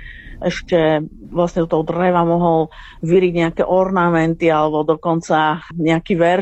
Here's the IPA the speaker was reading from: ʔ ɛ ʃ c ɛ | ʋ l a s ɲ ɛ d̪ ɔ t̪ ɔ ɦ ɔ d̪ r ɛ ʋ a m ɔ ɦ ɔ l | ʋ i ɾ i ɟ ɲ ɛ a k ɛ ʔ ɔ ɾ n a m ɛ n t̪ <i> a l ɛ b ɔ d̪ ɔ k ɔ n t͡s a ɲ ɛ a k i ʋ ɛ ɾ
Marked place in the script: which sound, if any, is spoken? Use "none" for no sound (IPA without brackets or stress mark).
i